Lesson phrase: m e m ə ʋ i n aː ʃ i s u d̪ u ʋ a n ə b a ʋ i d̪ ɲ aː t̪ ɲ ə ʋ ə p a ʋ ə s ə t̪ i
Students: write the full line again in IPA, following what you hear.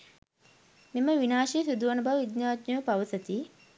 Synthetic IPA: m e m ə ʋ i n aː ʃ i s u d̪ u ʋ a n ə b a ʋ i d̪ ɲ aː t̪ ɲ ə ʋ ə p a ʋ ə s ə t̪ i